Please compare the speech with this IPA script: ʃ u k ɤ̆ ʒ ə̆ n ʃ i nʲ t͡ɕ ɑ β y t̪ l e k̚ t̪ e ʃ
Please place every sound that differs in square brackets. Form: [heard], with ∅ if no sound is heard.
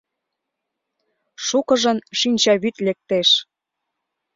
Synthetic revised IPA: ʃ u k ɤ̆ ʒ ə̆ n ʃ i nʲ t͡ɕ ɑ β y t̪ l e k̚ t̪ e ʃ